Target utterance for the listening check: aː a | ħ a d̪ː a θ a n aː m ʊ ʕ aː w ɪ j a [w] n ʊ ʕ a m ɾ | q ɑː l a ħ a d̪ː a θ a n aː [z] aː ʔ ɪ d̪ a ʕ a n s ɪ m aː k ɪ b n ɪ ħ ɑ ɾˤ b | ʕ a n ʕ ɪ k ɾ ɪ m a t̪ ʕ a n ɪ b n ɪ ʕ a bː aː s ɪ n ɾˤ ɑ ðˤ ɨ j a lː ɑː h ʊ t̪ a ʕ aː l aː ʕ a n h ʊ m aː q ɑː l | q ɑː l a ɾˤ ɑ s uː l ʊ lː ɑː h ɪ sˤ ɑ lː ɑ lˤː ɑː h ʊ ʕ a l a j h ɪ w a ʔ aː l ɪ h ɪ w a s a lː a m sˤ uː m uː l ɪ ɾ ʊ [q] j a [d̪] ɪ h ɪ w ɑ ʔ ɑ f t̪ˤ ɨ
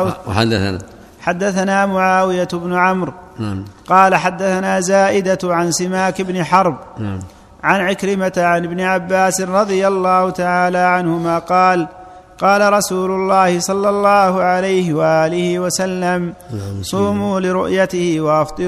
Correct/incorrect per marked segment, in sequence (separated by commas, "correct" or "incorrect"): incorrect, correct, incorrect, incorrect